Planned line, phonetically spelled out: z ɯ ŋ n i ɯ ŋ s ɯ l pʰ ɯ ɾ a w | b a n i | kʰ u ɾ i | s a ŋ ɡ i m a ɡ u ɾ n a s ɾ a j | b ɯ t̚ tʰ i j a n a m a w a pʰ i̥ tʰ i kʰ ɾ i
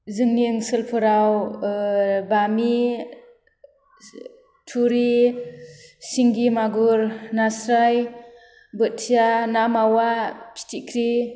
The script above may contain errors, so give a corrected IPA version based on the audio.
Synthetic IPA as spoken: z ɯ ŋ n i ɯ ŋ s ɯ l pʰ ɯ ɾ a w | b a m i | tʰ u ɾ i | s i ŋ ɡ i m a ɡ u ɾ n a s ɾ a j | b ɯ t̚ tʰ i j a n a m a w a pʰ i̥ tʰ i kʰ ɾ i